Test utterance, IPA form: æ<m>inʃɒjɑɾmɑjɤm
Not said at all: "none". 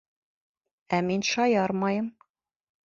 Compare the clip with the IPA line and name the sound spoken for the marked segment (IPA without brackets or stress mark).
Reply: m